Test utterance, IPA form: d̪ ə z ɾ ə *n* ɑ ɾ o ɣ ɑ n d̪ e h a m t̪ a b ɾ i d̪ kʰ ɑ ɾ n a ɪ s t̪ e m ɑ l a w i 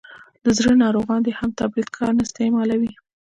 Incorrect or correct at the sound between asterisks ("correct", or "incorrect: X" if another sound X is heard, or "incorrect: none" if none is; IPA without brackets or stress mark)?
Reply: correct